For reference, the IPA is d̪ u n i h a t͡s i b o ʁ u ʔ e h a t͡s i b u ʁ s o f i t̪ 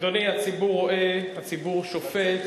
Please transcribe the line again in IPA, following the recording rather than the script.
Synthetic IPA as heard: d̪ o n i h a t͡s i b u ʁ o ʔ e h a t͡s i b u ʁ ʃ o f e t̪